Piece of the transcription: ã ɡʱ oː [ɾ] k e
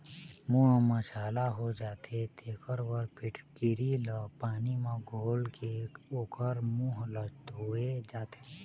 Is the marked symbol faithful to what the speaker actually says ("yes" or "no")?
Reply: no